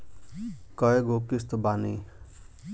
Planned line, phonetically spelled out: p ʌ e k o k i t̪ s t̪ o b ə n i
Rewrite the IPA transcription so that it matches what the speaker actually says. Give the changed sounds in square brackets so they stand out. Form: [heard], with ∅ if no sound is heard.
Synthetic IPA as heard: [k] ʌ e [ɡ] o k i [∅] s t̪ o b [a] n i